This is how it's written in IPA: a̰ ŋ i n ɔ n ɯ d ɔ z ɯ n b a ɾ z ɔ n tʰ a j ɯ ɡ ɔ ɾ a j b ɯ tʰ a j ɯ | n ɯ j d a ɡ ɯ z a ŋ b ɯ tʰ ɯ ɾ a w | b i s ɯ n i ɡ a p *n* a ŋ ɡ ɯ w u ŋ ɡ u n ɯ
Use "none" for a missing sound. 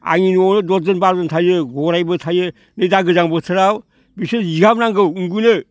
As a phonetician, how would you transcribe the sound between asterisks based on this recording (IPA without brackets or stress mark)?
n